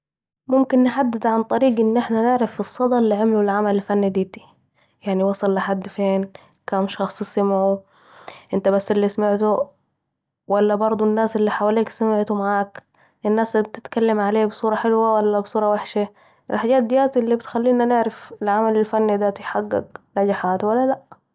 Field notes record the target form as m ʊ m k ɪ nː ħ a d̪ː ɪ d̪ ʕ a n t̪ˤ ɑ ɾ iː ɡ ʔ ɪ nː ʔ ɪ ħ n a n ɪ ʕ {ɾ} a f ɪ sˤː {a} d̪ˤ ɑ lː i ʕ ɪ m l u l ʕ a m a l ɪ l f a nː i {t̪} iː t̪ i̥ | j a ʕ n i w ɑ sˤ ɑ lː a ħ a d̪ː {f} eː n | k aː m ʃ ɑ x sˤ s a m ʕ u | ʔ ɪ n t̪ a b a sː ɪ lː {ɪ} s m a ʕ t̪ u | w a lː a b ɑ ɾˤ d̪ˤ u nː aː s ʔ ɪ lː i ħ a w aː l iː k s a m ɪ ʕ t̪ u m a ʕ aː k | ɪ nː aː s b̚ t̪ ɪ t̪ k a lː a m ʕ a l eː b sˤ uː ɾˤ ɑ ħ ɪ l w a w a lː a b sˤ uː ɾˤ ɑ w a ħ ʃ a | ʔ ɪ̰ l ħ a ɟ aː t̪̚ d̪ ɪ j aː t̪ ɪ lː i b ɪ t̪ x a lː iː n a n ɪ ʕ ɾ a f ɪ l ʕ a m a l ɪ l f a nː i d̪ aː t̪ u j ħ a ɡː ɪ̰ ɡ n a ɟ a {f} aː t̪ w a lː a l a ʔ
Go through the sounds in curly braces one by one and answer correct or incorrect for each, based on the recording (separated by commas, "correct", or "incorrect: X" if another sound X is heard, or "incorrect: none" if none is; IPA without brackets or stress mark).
correct, incorrect: ɑ, incorrect: d̪, correct, incorrect: i, incorrect: ħ